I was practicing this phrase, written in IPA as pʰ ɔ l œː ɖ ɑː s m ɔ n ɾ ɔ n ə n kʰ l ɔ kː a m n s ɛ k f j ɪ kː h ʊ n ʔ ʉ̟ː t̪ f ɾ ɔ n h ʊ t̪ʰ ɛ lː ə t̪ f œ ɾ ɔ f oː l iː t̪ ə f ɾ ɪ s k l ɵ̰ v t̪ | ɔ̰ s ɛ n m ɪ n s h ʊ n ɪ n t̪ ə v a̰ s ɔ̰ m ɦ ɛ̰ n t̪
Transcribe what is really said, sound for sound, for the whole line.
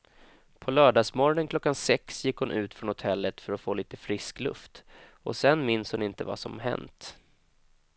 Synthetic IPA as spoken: pʰ ɔ l œː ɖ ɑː s m ɔ ɾ ɔ n ə n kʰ l ɔ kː a n s ɛ k s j ɪ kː h ʊ n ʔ ʉ̟ː t̪ f ɾ ɔ n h ʊ t̪ʰ ɛ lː ə t̪ f œ ɾ ɔ f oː l iː t̪ ə f ɾ ɪ s k l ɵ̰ f t̪ | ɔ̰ s ɛ n m ɪ n s h ʊ n ɪ n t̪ ə v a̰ s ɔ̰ m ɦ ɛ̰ n t̪